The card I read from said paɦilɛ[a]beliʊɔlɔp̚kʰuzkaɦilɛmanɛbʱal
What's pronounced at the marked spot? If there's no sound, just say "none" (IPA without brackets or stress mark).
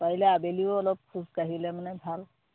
a